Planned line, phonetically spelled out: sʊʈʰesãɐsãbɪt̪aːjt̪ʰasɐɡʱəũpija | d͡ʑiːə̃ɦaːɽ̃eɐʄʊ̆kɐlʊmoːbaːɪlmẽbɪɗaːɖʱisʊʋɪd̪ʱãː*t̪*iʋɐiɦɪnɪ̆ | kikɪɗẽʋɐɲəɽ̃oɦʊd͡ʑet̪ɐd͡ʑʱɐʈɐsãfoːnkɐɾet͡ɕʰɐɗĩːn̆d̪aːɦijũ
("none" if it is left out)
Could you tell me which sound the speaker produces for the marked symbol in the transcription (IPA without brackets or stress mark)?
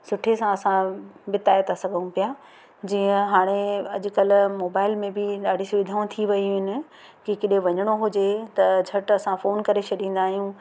t̪ʰ